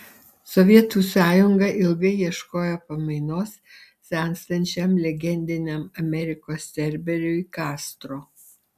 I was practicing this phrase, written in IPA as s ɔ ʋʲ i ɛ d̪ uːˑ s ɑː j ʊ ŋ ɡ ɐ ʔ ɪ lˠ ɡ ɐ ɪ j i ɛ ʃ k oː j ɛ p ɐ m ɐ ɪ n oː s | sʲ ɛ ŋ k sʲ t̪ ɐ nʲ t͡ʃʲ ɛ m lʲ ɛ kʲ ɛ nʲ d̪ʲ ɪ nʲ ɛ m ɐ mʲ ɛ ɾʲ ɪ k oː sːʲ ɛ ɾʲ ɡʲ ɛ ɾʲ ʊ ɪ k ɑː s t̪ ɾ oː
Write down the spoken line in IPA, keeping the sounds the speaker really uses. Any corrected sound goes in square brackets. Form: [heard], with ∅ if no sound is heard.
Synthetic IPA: s ɔ ʋʲ i ɛ [t̪] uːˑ s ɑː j ʊ ŋ ɡ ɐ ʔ ɪ lˠ ɡ ɐ ɪ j i ɛ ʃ k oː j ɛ p ɐ m ɐ ɪ n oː s | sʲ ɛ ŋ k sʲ t̪ ɐ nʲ t͡ʃʲ ɛ m lʲ ɛ [ɡʲ] ɛ nʲ d̪ʲ ɪ nʲ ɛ m ɐ mʲ ɛ ɾʲ ɪ k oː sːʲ ɛ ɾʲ [bʲ] ɛ ɾʲ ʊ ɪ k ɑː s t̪ ɾ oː

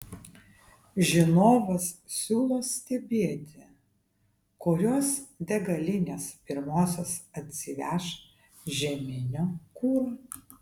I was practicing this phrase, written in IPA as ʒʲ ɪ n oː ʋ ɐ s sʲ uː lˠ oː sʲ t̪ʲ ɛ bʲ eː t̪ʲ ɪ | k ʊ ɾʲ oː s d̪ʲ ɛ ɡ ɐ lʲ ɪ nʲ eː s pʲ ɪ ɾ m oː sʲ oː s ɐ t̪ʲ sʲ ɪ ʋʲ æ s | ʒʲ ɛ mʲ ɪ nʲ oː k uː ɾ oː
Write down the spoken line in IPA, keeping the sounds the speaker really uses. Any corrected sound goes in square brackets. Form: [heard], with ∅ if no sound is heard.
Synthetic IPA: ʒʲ ɪ n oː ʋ ɐ s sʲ uː lˠ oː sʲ t̪ʲ ɛ bʲ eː t̪ʲ ɪ | k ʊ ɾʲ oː s d̪ʲ ɛ ɡ ɐ lʲ ɪ nʲ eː s pʲ ɪ ɾ m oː sʲ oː s ɐ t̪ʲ sʲ ɪ ʋʲ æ [ʃ] | ʒʲ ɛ mʲ ɪ nʲ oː k uː ɾ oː

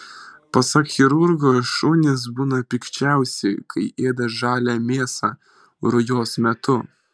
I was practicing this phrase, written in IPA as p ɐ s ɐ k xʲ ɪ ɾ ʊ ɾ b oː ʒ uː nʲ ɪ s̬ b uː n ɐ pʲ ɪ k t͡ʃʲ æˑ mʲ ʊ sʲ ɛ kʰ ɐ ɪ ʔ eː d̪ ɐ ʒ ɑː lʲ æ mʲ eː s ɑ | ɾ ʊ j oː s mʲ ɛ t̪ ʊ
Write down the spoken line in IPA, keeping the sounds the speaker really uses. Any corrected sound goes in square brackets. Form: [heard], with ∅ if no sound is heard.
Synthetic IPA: p ɐ s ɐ k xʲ ɪ ɾ ʊ ɾ [ɡ] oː [ʃ] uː nʲ ɪ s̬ b uː n ɐ pʲ ɪ k t͡ʃʲ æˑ [∅] ʊ sʲ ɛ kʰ ɐ ɪ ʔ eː d̪ ɐ ʒ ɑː lʲ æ mʲ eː s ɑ | ɾ ʊ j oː s mʲ ɛ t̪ ʊ

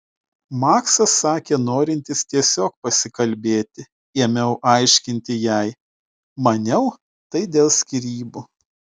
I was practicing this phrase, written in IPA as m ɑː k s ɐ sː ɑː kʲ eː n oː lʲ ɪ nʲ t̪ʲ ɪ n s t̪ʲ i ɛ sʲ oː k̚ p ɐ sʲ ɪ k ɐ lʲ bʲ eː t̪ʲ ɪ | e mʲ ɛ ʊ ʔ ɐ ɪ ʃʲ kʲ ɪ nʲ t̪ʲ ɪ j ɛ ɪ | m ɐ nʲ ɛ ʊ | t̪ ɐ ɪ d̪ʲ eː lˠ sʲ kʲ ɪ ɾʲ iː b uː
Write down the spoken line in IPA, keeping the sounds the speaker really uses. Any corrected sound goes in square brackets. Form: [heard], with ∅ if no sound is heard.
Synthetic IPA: m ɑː k s ɐ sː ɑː kʲ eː n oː [ɾʲ] ɪ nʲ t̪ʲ ɪ [∅] s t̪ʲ i ɛ sʲ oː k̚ p ɐ sʲ ɪ k ɐ lʲ bʲ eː t̪ʲ ɪ | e mʲ ɛ ʊ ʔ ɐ ɪ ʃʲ kʲ ɪ nʲ t̪ʲ ɪ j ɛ ɪ | m ɐ nʲ ɛ ʊ | t̪ ɐ ɪ d̪ʲ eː lˠ sʲ kʲ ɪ ɾʲ iː b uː

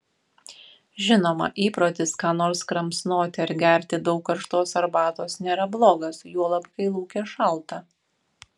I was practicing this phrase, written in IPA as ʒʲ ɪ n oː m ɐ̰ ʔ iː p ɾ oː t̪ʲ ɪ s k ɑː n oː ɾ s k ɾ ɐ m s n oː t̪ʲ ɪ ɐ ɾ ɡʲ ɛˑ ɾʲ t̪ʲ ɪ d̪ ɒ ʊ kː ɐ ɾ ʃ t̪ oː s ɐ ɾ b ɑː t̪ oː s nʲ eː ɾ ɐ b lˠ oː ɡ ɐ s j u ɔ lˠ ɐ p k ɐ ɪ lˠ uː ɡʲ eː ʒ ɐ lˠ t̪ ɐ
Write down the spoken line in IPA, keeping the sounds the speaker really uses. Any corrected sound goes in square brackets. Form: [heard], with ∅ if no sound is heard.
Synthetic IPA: ʒʲ ɪ n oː m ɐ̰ ʔ iː p ɾ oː t̪ʲ ɪ s k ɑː n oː ɾ s k ɾ ɐ m s n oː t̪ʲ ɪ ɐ ɾ ɡʲ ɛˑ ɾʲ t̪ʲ ɪ d̪ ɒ ʊ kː ɐ ɾ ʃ t̪ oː s ɐ ɾ b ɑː t̪ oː s nʲ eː ɾ ɐ b lˠ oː ɡ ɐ s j u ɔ lˠ ɐ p k ɐ ɪ lˠ uː [kʲ] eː [ʃ] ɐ lˠ t̪ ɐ

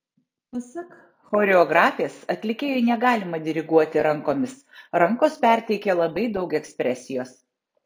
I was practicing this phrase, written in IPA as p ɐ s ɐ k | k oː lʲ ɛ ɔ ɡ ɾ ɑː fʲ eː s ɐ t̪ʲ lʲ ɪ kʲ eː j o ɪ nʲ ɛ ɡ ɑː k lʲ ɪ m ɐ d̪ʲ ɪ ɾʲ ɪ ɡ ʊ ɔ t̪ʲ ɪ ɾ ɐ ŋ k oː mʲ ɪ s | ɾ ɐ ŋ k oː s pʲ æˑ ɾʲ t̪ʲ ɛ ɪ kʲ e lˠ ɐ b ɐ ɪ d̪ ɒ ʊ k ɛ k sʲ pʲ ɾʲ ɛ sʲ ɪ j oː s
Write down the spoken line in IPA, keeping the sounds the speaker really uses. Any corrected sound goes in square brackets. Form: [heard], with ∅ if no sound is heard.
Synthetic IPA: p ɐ s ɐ k | [x] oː [ɾʲ] ɛ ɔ ɡ ɾ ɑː fʲ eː s ɐ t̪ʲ lʲ ɪ kʲ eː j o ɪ nʲ ɛ ɡ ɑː [∅] lʲ ɪ m ɐ d̪ʲ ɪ ɾʲ ɪ ɡ [u] ɔ t̪ʲ ɪ ɾ ɐ ŋ k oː mʲ ɪ s | ɾ ɐ ŋ k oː s pʲ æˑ ɾʲ t̪ʲ ɛ ɪ kʲ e lˠ ɐ b ɐ ɪ d̪ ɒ ʊ k ɛ k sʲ pʲ ɾʲ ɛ sʲ ɪ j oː s

